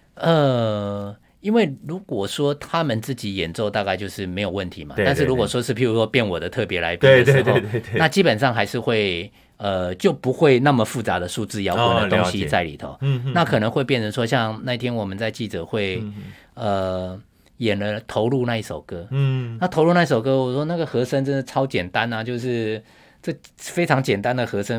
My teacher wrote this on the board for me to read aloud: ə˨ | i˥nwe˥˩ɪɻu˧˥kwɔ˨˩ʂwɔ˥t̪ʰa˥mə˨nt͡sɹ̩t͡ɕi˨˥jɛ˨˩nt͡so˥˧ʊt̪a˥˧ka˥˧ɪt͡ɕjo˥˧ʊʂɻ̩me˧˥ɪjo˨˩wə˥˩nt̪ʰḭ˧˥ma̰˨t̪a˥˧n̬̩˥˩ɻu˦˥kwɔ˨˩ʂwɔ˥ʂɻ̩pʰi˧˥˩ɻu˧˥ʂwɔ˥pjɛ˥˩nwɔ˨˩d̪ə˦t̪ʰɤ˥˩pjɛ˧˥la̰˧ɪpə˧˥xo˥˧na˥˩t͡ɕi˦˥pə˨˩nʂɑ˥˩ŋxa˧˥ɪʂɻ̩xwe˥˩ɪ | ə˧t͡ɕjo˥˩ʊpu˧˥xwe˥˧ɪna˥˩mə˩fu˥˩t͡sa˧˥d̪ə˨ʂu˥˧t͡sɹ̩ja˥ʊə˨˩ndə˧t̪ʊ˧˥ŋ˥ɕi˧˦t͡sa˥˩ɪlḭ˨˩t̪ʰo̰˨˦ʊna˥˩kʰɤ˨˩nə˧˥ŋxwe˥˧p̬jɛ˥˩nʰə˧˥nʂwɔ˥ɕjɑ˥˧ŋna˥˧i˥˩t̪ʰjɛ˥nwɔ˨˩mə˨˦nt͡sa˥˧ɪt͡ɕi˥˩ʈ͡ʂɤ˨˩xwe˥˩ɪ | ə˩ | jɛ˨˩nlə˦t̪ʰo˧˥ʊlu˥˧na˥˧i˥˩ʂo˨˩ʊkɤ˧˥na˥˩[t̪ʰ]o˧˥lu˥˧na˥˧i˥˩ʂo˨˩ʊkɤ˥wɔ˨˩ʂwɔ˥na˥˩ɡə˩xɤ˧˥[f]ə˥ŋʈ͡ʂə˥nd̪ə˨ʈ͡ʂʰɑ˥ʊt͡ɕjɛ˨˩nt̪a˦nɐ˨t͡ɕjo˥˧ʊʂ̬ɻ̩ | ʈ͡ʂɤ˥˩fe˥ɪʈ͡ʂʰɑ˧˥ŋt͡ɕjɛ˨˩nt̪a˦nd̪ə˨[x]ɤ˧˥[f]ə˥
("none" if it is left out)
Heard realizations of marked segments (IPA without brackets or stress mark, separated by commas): t̪ʰ, ʂ, x, ʂ